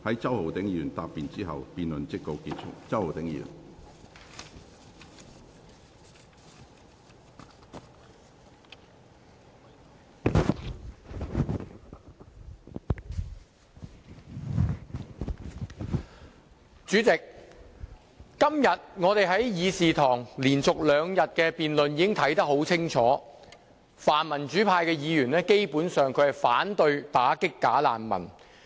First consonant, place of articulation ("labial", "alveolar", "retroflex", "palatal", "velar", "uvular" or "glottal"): glottal